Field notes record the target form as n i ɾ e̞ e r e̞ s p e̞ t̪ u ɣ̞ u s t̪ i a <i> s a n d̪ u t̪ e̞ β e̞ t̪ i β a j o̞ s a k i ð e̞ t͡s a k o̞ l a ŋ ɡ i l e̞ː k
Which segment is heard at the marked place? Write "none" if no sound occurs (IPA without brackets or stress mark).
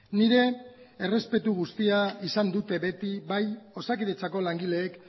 i